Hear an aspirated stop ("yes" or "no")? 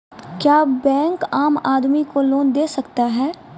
no